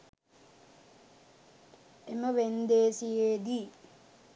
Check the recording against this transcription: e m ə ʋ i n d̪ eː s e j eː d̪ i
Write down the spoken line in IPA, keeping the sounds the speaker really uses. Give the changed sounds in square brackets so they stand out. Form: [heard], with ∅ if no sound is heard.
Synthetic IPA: e m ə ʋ [e] n d̪ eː s [i] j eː d̪ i